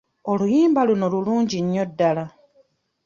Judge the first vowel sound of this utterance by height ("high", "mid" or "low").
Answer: mid